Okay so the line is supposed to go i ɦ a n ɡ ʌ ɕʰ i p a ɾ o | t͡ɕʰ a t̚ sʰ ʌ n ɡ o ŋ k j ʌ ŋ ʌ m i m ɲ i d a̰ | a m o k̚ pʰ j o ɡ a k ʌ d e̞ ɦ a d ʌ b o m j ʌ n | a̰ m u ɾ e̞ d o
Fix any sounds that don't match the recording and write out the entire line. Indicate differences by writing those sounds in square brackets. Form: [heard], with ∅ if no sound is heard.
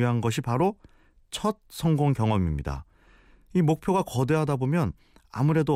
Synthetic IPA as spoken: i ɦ a n ɡ ʌ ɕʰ i p a ɾ o | t͡ɕʰ [ʌ] t̚ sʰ ʌ [ŋ] ɡ o ŋ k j ʌ ŋ ʌ m i m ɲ i d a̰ | [i] m o k̚ pʰ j o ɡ a k ʌ d e̞ ɦ a d [a] b o m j ʌ n | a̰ m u ɾ e̞ d o